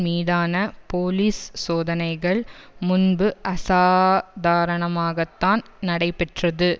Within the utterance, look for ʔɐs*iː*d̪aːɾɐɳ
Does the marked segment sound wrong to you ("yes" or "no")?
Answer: yes